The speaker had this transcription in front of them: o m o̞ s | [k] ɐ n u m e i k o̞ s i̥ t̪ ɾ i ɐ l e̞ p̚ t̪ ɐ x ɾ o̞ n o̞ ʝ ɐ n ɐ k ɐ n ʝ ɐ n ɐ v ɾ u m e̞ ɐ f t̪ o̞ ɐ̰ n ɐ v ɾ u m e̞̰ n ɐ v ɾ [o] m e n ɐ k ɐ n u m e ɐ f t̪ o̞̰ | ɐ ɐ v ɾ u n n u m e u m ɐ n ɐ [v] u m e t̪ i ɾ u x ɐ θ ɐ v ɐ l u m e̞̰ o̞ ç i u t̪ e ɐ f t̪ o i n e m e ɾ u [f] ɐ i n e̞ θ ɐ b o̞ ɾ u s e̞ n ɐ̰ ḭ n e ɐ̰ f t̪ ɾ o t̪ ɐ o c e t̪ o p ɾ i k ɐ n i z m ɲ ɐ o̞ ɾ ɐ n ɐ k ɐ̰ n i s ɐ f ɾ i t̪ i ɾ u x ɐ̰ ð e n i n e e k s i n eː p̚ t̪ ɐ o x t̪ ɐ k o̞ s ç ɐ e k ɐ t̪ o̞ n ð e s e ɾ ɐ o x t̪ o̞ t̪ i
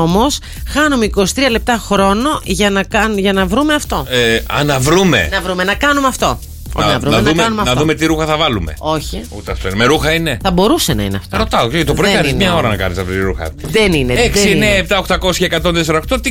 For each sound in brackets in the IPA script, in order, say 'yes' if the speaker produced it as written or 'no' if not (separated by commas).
no, no, no, no